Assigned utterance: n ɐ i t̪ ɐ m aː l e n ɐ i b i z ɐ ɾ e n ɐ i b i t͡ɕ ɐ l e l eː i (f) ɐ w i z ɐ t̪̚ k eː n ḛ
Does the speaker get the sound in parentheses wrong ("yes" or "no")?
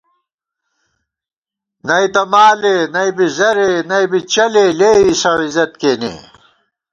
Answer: yes